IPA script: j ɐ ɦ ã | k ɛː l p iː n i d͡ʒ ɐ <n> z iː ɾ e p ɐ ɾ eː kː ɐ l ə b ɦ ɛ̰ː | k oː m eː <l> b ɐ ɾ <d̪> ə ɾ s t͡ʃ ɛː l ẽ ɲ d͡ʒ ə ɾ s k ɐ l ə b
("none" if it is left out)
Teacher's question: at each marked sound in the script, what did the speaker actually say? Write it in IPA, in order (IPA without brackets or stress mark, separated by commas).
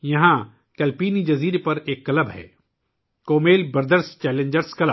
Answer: none, l, d̪